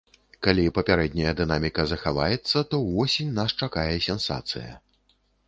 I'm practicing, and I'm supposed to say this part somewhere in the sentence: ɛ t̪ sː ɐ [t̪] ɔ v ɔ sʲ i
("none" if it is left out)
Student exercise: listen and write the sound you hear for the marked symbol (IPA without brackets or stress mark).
t̪